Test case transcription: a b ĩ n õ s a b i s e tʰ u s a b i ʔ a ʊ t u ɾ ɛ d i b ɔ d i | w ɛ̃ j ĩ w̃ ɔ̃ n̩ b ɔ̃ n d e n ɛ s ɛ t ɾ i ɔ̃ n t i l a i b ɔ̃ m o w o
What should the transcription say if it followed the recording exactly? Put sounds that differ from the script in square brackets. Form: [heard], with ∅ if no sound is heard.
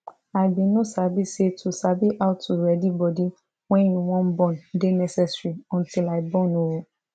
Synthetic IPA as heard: a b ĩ n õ s a b i s e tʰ u s a b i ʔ a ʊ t u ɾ ɛ d i b ɔ d i | w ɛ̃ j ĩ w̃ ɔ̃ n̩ b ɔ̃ n d e n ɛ s ɛ [s] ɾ i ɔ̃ n t i l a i b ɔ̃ [n] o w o